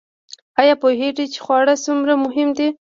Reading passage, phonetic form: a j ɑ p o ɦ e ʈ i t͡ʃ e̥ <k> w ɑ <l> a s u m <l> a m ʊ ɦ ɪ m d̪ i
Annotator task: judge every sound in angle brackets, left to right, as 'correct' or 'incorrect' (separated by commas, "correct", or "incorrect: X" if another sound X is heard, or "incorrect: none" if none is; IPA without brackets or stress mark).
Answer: incorrect: x, incorrect: ɽ, incorrect: ɾ